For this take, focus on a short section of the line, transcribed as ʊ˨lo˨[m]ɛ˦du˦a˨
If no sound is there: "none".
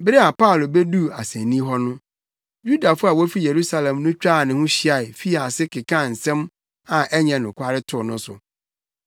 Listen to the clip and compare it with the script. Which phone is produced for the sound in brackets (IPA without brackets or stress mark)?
b